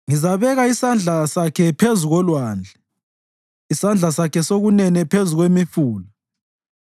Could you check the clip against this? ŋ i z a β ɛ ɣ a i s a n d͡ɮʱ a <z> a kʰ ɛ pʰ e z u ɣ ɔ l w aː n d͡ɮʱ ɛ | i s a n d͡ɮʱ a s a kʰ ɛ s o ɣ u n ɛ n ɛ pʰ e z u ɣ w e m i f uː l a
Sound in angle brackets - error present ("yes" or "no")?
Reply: yes